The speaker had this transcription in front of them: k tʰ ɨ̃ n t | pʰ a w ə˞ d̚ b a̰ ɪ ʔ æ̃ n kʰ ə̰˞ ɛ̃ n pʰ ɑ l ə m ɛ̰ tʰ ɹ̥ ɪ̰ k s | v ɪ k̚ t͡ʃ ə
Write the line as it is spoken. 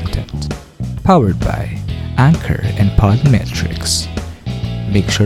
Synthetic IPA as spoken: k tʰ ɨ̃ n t | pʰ a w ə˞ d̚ b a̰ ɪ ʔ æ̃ ŋ kʰ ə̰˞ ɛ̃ n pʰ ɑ l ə m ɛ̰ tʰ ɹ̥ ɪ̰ k s | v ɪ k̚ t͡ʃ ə